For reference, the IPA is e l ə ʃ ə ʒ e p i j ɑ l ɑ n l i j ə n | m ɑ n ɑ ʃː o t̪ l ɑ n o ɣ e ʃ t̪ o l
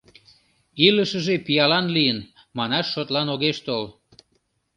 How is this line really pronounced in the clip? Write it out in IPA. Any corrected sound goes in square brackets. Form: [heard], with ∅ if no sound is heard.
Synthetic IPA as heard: [i] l ə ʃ ə ʒ e p i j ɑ l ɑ n l i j ə n | m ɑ n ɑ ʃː o t̪ l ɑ n o ɣ e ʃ t̪ o l

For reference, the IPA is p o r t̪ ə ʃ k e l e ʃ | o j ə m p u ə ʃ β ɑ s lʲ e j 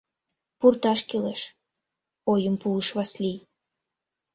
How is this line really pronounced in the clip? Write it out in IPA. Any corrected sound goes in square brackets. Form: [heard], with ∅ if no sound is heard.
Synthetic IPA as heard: p [u] r t̪ [ɑ] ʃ k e l e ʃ | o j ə m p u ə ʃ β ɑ s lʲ [i] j

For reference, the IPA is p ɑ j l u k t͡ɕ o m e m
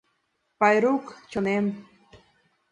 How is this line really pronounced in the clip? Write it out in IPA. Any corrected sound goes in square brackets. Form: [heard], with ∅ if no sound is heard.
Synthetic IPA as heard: p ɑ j [ɾ] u k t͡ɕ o [n] e m

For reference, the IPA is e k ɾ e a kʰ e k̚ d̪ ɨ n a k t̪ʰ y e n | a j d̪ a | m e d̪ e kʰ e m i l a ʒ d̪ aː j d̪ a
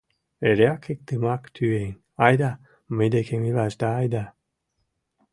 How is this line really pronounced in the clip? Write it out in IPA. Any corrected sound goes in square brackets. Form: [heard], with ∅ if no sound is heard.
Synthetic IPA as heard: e [∅] ɾ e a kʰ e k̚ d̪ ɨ [m] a k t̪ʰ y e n | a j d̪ a | m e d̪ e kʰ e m i l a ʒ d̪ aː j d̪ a

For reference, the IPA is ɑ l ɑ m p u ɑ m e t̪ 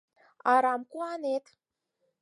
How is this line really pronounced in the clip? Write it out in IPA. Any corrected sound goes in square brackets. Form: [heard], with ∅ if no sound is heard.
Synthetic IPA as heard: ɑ [ɾ] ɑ m [k] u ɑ [n] e t̪

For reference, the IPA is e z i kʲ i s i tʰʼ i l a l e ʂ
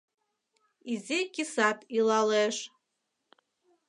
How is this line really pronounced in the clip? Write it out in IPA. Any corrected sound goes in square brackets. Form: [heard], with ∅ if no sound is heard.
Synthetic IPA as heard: [i] z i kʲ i s [a] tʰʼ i l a l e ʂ

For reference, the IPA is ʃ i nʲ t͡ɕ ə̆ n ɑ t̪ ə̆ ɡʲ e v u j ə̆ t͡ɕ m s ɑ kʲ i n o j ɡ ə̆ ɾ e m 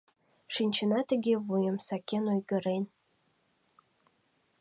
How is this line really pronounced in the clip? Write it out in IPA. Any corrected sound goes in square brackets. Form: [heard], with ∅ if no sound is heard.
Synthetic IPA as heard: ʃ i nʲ t͡ɕ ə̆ n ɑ t̪ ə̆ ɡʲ e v u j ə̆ [∅] m s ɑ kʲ [e] n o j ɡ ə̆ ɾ e [n]

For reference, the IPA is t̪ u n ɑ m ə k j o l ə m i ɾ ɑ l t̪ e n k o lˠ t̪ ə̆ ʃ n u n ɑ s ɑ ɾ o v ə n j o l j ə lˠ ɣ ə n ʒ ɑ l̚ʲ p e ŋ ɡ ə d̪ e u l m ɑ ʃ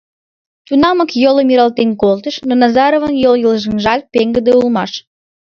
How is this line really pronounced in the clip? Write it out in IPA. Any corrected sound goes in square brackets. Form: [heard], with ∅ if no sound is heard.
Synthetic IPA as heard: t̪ u n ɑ m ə k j o l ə m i ɾ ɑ l t̪ e n k o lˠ t̪ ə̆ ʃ n [o] n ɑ [z] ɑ ɾ o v ə n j o l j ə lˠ [ʒ] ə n ʒ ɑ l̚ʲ p e ŋ ɡ ə d̪ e u l m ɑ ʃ

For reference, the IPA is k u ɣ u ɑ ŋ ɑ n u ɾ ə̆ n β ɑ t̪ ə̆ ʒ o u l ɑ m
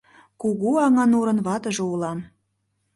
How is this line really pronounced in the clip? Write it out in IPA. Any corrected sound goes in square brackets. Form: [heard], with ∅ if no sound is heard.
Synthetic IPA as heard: k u ɣ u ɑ ŋ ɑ n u ɾ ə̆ n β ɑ t̪ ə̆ ʒ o u l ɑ m

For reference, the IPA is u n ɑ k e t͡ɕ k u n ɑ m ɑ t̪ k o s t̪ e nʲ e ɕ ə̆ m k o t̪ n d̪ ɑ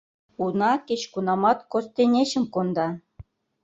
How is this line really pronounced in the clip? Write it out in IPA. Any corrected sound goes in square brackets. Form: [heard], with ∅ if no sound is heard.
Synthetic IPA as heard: u n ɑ k e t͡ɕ k u n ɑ m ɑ t̪ k o s t̪ e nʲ e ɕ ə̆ m k o [∅] n d̪ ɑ

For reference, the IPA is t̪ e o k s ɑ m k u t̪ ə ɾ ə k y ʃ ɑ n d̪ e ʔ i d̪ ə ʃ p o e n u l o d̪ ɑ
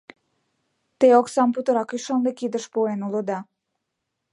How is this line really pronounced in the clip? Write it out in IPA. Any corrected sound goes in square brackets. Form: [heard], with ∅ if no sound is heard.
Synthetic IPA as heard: t̪ e o k s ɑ m [p] u t̪ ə ɾ [ɑ] k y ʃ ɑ n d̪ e [k] i d̪ ə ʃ p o e n u l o d̪ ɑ

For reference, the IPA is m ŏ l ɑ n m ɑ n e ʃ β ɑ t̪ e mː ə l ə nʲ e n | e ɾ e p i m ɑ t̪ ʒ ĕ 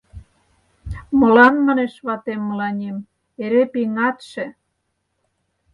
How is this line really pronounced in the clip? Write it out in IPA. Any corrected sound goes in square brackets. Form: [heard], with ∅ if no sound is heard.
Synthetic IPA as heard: m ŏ l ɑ n m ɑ n e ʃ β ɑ t̪ e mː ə l [ɑ] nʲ e [m] | e ɾ e p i [ŋ] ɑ t̪ [ʃ] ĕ

